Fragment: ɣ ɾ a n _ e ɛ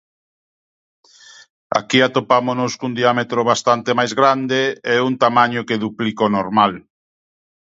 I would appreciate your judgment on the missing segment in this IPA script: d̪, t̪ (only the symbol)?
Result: d̪